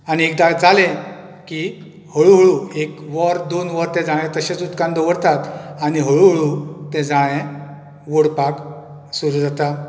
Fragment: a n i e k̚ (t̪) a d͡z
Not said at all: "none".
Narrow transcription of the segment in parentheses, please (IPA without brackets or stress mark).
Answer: d̪